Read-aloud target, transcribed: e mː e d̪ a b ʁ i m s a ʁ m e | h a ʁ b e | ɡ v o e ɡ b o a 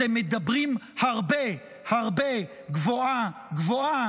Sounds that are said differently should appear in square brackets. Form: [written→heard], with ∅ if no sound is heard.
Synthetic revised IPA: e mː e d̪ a b ʁ i m [s→h] a ʁ [m→b] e | h a ʁ b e | ɡ v o [e→a] ɡ [b→v] o a